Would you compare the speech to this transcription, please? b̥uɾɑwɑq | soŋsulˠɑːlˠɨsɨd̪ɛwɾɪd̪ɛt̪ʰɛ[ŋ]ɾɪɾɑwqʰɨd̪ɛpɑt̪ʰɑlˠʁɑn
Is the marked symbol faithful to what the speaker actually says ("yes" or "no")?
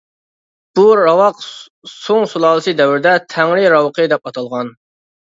yes